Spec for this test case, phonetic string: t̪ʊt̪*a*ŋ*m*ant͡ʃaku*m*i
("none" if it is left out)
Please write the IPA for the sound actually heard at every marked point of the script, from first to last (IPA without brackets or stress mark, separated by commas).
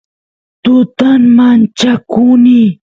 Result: a, m, n